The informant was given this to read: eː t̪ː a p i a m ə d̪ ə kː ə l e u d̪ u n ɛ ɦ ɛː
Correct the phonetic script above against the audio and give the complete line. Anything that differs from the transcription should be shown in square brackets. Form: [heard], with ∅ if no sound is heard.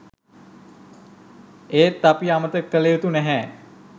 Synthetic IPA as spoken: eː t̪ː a p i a m ə [t̪] ə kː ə l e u [t̪] u n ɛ ɦ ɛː